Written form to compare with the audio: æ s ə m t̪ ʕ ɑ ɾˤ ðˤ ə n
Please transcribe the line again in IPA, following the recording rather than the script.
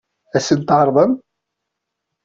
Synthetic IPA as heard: æ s ə n t̪ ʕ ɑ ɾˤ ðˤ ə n